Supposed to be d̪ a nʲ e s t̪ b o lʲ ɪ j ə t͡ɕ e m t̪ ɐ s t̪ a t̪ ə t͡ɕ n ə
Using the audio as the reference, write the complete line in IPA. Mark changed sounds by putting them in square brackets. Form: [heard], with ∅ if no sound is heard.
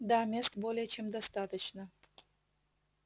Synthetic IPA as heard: d̪ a [mʲ] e s t̪ b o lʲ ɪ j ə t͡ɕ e m [d̪] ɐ s t̪ a t̪ ə t͡ɕ n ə

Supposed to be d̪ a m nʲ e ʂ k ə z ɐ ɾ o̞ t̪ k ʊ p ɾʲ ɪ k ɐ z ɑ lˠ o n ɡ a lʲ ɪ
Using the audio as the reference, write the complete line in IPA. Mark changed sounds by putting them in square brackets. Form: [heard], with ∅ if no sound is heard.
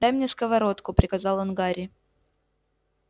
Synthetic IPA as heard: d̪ a m nʲ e [s] k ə [v] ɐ ɾ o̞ t̪ k ʊ p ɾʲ ɪ k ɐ z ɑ lˠ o n ɡ a [ɾʲ] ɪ

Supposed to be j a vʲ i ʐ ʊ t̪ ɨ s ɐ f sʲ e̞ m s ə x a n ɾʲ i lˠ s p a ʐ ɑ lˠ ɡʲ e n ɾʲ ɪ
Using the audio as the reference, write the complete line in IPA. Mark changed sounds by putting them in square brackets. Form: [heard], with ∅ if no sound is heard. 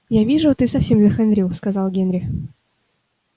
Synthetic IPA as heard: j a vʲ i ʐ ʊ t̪ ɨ s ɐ f sʲ e̞ m [z] ə x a n ɾʲ i lˠ s [k] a [z] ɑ lˠ ɡʲ e n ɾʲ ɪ

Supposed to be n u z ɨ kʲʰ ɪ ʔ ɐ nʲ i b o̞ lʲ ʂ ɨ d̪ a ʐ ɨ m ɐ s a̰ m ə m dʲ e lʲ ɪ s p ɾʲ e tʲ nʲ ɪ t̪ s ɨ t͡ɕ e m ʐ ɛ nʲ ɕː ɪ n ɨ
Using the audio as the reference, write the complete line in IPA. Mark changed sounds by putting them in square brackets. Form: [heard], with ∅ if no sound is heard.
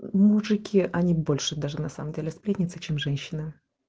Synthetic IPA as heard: [m] u [ʐ] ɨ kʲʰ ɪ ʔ ɐ nʲ i b o̞ lʲ ʂ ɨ d̪ a ʐ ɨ [n] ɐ s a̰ m ə m dʲ e lʲ ɪ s p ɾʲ e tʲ nʲ ɪ t̪ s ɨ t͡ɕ e m ʐ ɛ nʲ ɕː ɪ n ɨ

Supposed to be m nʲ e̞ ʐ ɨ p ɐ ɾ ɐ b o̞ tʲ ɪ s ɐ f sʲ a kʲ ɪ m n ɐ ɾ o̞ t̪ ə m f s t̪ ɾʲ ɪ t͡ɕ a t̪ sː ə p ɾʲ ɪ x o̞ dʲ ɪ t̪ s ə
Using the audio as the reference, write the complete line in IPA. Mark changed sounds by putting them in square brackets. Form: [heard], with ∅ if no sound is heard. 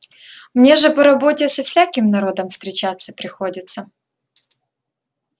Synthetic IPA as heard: m nʲ e̞ ʐ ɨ p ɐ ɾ ɐ b o̞ tʲ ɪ s ɐ f sʲ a kʲ ɪ m n ɐ ɾ o̞ [d̪] ə m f s t̪ ɾʲ ɪ t͡ɕ a t̪ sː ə p ɾʲ ɪ x o̞ dʲ ɪ t̪ s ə

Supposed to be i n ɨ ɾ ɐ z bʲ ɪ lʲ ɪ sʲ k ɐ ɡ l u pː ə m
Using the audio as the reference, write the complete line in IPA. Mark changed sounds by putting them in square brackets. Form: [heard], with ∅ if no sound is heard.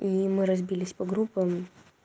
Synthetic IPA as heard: i [m] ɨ ɾ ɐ z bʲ [i] lʲ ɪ sʲ [p] ɐ ɡ [ɾ] u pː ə m

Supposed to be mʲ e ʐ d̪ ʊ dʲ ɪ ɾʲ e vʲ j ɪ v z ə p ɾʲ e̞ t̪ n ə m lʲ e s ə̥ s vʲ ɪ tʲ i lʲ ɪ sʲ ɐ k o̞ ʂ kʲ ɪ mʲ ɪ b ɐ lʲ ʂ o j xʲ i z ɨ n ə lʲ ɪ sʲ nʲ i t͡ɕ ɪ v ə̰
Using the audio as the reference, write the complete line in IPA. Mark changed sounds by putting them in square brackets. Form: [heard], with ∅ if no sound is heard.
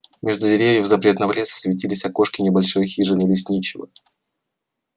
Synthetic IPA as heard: mʲ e ʐ d̪ ʊ dʲ ɪ ɾʲ e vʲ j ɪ v z [ɐ] p ɾʲ e̞ t̪ n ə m lʲ e s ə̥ s vʲ ɪ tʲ i lʲ ɪ sʲ ɐ k o̞ ʂ kʲ ɪ [nʲ] ɪ b ɐ lʲ ʂ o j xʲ i [ʐ] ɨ n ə lʲ ɪ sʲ nʲ i t͡ɕ ɪ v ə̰

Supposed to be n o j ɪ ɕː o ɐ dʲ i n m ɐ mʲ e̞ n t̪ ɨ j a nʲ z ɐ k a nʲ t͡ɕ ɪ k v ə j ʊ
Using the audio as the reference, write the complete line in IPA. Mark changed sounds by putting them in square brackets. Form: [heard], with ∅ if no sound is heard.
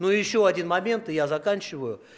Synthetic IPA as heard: n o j ɪ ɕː o ɐ dʲ i n m ɐ mʲ e̞ n t̪ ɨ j a [∅] z ɐ k a nʲ t͡ɕ ɪ [∅] v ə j ʊ

